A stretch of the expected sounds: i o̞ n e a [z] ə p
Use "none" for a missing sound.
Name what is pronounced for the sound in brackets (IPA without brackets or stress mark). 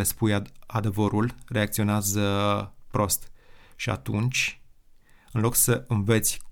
z